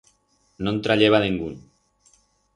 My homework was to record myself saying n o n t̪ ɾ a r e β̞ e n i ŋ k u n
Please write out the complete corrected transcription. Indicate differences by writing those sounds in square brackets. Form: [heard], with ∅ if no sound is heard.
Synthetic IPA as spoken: n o n t̪ ɾ a [ʎ] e β̞ [a] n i ŋ [ɡ] u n